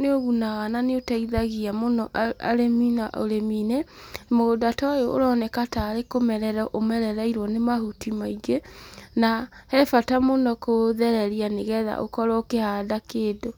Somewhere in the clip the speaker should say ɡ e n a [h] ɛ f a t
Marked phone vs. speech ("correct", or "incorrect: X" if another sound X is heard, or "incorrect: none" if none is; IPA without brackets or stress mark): correct